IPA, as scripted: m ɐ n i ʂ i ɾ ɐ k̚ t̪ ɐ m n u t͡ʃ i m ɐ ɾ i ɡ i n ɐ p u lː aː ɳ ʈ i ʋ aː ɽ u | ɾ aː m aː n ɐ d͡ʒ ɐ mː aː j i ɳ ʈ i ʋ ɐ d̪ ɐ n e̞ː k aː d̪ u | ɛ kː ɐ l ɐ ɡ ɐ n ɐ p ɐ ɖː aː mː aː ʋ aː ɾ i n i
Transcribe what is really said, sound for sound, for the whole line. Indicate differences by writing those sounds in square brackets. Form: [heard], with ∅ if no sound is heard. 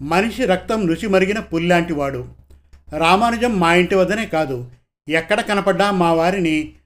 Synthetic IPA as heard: m ɐ n i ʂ i ɾ ɐ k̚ t̪ ɐ m n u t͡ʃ i m ɐ ɾ i ɡ i n ɐ p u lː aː ɳ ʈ i ʋ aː ɽ u | ɾ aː m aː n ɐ d͡ʒ ɐ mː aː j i ɳ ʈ i ʋ ɐ d̪ ɐ n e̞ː k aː d̪ u | ɛ kː ɐ [ɽ] ɐ [k] ɐ n ɐ p ɐ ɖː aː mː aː ʋ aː ɾ i n i